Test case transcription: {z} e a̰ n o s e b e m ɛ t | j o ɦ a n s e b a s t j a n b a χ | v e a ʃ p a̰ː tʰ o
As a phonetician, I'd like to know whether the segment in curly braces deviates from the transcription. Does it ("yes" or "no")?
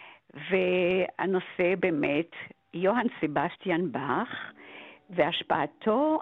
yes